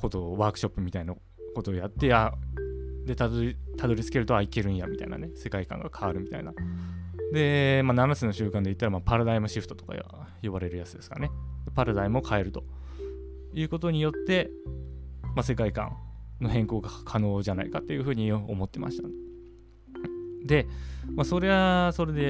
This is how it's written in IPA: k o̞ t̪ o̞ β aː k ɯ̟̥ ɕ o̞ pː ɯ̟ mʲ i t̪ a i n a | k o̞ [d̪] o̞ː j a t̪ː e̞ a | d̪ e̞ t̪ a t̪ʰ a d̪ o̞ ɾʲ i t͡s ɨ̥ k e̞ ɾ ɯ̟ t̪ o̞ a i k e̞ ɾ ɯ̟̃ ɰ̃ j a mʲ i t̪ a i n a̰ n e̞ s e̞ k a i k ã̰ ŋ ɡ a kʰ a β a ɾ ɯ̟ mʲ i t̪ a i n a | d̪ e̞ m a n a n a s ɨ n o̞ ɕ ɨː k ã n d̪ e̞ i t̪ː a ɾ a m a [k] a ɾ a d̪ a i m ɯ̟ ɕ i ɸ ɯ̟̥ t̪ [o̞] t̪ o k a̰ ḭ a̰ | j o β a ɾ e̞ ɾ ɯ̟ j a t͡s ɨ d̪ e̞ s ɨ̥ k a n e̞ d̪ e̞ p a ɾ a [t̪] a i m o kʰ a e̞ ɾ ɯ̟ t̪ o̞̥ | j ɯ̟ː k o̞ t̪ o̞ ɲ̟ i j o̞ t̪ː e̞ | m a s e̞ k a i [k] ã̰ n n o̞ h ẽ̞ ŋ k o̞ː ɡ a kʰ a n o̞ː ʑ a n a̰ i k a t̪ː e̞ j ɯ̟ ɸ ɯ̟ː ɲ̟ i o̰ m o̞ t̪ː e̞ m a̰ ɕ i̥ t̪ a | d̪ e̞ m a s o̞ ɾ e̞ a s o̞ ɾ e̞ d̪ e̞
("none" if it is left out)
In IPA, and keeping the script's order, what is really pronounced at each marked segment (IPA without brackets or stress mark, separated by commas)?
t̪, p, o̞, d̪, k